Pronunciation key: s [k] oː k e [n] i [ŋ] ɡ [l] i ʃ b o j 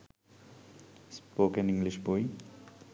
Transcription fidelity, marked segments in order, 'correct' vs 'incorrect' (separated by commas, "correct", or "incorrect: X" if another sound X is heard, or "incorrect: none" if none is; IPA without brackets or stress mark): incorrect: p, correct, correct, correct